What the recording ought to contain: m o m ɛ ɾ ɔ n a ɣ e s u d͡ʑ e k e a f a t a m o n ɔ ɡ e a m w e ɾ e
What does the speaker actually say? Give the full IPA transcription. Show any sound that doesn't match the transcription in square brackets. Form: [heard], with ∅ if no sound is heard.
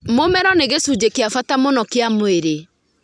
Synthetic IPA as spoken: m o m ɛ ɾ ɔ n [e] ɣ e s u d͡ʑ e k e a f a t a m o n ɔ [k] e a m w e ɾ e